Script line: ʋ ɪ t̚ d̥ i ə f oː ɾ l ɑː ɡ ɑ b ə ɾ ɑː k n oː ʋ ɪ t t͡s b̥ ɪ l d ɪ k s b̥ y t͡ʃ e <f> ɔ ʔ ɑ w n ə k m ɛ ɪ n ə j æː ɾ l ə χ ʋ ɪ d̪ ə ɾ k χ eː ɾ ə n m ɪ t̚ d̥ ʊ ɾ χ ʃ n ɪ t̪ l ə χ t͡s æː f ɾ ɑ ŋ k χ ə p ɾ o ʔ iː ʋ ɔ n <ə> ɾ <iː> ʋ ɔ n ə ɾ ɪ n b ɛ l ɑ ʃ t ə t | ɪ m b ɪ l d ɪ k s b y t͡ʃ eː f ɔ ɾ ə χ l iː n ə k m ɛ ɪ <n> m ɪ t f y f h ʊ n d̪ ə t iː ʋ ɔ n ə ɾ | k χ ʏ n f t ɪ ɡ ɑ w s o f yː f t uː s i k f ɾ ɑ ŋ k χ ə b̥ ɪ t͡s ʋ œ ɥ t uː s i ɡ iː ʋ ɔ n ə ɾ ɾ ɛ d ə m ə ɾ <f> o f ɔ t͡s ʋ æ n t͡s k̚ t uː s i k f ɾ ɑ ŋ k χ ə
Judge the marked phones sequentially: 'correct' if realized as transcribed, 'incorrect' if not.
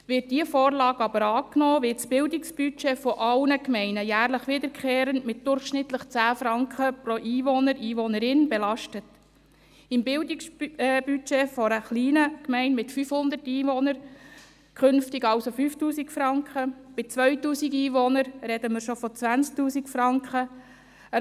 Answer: correct, correct, correct, correct, incorrect: ʃ

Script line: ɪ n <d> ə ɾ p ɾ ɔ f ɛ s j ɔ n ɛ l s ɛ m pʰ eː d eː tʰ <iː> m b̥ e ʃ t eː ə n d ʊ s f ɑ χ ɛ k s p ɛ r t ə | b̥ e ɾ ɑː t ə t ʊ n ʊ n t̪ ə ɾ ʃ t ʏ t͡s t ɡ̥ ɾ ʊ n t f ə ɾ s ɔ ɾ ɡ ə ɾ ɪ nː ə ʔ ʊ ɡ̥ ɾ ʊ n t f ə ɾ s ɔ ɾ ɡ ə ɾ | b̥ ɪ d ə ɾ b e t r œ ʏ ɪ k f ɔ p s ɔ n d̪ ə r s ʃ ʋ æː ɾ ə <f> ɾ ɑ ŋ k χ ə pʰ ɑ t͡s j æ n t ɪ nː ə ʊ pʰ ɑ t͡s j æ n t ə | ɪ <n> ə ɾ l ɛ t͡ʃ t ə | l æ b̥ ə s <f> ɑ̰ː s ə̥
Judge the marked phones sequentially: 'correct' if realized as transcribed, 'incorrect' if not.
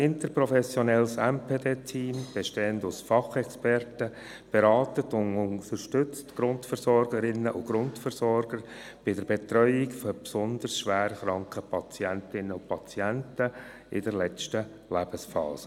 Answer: incorrect: t, correct, incorrect: χ, incorrect: d, correct

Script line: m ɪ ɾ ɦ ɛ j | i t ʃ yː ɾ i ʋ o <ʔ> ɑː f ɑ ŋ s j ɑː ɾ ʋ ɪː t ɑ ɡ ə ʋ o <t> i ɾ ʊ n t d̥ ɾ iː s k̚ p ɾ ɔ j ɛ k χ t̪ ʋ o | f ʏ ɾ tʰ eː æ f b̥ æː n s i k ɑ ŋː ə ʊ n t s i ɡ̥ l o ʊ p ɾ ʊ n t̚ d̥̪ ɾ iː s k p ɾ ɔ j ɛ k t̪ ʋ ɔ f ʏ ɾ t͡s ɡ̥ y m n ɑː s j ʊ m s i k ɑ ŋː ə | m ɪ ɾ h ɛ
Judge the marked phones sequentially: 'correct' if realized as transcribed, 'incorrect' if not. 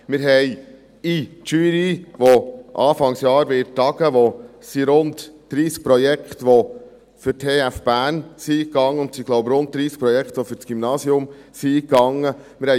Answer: correct, incorrect: s

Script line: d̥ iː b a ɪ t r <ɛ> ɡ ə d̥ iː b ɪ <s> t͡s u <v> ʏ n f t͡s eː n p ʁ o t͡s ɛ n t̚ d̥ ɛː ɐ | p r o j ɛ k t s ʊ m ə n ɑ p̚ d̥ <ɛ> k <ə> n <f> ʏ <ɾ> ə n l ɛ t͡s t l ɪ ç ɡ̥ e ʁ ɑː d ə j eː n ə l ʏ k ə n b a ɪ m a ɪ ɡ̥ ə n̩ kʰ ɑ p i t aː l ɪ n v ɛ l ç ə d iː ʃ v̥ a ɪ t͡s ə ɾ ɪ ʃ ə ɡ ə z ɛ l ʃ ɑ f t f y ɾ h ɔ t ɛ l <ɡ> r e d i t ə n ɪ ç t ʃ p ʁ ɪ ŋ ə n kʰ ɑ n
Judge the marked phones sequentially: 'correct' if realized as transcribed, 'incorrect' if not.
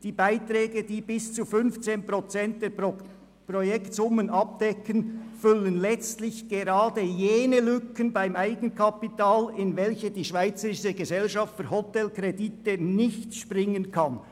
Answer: incorrect: ɛː, correct, incorrect: f, correct, correct, correct, incorrect: l, incorrect: k

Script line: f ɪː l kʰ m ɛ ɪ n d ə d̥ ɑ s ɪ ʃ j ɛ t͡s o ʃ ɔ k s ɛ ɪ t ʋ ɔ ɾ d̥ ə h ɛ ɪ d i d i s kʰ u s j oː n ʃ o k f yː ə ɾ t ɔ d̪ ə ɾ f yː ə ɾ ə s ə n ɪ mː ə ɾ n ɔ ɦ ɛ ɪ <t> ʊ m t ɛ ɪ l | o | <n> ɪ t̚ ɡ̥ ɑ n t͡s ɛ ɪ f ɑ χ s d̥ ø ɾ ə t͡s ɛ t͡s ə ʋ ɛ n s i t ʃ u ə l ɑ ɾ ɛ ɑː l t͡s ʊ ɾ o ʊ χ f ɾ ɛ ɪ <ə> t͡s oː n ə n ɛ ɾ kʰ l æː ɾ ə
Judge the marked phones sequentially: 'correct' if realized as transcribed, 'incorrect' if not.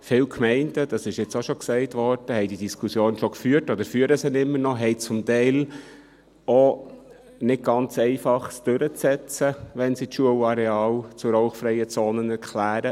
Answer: incorrect: t͡s, correct, correct

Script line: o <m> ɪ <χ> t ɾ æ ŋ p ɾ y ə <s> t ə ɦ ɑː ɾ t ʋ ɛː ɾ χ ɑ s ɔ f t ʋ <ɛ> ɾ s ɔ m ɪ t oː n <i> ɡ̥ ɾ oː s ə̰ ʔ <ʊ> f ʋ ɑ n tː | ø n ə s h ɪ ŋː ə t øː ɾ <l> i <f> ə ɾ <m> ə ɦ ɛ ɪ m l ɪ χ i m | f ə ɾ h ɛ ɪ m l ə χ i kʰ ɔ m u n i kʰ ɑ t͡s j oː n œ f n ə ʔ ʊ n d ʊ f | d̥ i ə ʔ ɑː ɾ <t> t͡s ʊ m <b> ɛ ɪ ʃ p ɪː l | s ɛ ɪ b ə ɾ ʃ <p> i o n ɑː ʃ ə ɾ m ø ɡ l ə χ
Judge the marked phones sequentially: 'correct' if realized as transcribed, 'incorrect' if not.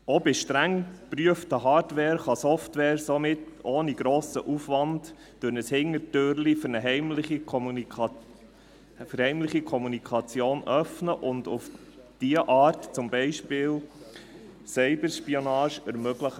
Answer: incorrect: b, incorrect: ʃ, incorrect: f, incorrect: ɛː, correct, incorrect: u, correct, correct, incorrect: n, correct, correct, correct

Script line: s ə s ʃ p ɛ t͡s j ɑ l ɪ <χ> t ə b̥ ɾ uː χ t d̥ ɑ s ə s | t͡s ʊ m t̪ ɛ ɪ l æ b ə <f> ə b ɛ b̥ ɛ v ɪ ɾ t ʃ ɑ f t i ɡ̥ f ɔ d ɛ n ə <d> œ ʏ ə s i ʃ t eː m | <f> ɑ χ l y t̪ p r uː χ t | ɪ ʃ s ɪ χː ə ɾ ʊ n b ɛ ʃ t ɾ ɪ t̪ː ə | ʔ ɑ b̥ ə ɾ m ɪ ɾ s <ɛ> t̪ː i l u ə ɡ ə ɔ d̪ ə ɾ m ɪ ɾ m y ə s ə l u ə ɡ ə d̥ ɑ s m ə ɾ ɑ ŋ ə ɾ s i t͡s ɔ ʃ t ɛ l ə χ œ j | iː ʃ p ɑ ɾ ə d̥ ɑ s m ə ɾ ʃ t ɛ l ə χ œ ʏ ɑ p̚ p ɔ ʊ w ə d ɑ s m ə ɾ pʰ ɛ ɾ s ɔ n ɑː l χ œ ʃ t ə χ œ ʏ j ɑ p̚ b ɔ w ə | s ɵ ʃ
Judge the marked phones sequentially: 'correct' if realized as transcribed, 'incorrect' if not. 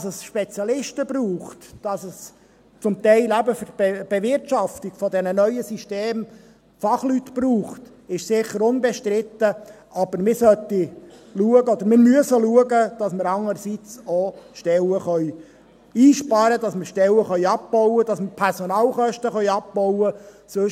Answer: incorrect: ʃ, correct, incorrect: n, correct, incorrect: œ

